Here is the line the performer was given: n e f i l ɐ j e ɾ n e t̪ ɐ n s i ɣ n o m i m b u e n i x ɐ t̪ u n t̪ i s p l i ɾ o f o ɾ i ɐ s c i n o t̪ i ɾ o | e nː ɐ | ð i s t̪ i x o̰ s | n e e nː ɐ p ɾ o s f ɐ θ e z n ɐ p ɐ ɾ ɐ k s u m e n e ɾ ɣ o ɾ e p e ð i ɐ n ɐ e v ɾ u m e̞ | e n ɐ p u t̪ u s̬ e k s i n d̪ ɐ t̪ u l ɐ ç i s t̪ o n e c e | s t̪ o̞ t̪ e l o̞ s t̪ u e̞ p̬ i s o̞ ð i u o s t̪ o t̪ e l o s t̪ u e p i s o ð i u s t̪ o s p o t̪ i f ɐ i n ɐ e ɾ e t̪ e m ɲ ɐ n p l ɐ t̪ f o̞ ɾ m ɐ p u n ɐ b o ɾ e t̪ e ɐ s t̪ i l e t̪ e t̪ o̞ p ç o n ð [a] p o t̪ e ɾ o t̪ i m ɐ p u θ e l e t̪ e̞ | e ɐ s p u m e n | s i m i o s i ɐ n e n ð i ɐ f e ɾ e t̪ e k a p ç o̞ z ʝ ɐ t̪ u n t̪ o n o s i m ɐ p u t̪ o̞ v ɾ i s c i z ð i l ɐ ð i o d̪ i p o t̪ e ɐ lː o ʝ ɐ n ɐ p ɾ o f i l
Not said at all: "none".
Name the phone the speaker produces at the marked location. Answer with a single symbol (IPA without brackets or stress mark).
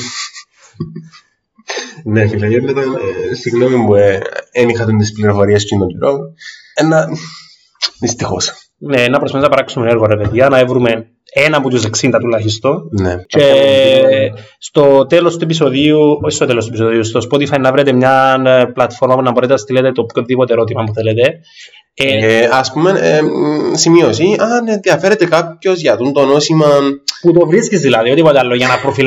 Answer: i